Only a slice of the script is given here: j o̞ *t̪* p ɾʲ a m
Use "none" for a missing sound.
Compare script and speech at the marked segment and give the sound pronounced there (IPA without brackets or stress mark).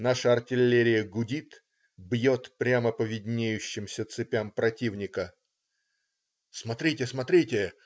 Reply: t̪